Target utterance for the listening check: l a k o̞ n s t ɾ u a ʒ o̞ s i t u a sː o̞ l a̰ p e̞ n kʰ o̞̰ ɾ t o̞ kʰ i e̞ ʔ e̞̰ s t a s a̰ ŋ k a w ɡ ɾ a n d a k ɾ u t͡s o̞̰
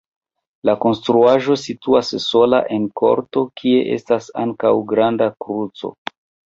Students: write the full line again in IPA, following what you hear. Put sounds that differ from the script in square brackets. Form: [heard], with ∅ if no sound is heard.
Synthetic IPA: l a k o̞ n s t ɾ u a ʒ o̞ s i t u a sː o̞ l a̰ [ʔ] e̞ n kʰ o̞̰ ɾ t o̞ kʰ i e̞ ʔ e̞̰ s t a s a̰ ŋ k a w ɡ ɾ a n d a k ɾ u t͡s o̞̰

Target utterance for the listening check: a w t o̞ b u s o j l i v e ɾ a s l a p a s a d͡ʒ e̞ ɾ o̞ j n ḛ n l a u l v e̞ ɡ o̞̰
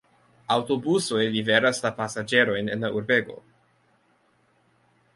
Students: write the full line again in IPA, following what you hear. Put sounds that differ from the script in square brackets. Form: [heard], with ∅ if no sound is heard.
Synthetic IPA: a w t o̞ b u s o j l i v e ɾ a s l a p a s a d͡ʒ e̞ ɾ o̞ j n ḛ n l a u [ɾ] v e̞ ɡ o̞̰

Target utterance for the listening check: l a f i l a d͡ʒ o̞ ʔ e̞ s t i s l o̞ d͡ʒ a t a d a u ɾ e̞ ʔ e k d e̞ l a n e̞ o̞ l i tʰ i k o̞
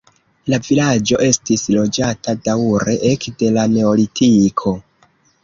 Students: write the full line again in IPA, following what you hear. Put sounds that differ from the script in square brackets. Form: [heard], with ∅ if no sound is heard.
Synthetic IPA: l a [v] i l a d͡ʒ o̞ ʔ e̞ s t i s l o̞ d͡ʒ a t a d a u ɾ e̞ ʔ e k d e̞ l a n e̞ o̞ l i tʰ i [kʰ] o̞

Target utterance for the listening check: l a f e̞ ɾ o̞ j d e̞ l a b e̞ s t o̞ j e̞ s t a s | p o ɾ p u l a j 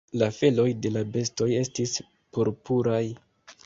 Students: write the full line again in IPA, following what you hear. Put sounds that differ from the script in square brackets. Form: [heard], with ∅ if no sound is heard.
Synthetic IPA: l a f e̞ [l] o̞ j d e̞ l a b e̞ s t o̞ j e̞ s t [i] s | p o ɾ p u [ɾ] a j

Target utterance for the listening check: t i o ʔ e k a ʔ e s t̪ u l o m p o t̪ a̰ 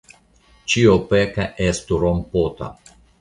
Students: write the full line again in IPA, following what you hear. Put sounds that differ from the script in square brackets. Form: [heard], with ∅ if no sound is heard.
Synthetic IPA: [t͡ʃ] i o [p] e k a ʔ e s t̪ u [ɾ] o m p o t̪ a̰

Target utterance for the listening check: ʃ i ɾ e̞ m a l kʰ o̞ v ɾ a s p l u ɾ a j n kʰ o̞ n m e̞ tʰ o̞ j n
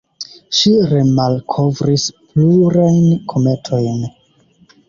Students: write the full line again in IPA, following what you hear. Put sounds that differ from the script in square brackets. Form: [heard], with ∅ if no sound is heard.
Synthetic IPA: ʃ i ɾ e̞ m a l kʰ o̞ v ɾ [i] s p l u ɾ a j n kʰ o̞ [∅] m e̞ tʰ o̞ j n

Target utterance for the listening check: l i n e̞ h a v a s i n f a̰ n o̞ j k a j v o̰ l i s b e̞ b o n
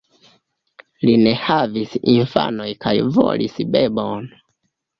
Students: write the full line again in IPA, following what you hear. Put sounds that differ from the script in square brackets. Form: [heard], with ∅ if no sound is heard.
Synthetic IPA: l i n e̞ h a v [i] s i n f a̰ n o̞ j k a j v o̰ l i s b e̞ b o n

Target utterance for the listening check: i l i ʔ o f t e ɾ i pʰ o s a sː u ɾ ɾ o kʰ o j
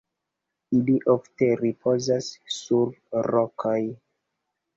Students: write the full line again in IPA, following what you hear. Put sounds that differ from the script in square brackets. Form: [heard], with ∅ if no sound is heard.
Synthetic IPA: i l i ʔ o f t e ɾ i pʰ o [z] a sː u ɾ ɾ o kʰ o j

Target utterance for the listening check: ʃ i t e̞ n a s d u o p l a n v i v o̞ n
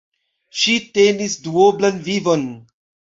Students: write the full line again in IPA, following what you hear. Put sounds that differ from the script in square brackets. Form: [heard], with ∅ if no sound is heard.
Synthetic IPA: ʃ i t e̞ n [i] s d u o [b] l a n v i v o̞ n

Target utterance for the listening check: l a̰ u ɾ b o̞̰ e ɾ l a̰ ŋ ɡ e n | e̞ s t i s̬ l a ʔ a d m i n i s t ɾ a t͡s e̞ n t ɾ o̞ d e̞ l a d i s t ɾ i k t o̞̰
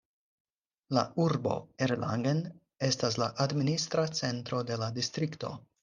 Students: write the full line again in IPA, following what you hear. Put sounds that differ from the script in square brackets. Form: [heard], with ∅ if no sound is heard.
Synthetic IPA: l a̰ u ɾ b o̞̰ e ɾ l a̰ ŋ ɡ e n | e̞ s t [a] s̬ l a ʔ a d m i n i s t ɾ a t͡s e̞ n t ɾ o̞ d e̞ l a d i s t ɾ i k t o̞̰

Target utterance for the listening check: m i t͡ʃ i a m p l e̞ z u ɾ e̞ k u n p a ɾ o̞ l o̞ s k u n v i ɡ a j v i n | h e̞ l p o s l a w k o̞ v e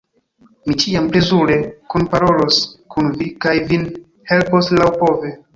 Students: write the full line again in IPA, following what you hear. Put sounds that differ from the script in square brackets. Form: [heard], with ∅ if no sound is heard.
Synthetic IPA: m i t͡ʃ i a m p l e̞ z u ɾ e̞ k u n p a ɾ o̞ l o̞ s k u n v i [k] a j v i n | h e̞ l p o s l a w [p] o̞ v e

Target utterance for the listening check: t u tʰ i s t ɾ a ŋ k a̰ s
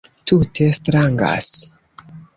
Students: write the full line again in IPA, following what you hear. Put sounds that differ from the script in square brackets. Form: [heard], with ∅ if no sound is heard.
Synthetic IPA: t u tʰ [e] s t ɾ a ŋ [ɡ] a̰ s

